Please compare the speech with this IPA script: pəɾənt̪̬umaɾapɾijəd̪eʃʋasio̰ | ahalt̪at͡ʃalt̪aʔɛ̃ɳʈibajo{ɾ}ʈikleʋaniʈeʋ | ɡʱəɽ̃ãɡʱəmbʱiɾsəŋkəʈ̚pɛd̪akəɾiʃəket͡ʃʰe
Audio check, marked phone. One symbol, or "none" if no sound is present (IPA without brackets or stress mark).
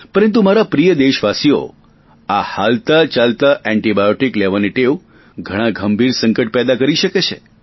none